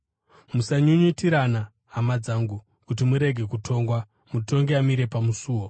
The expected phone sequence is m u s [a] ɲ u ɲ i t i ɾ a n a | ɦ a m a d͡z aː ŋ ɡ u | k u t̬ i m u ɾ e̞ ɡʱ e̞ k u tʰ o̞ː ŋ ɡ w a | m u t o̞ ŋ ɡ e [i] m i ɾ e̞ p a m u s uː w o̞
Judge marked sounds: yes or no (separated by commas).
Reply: yes, no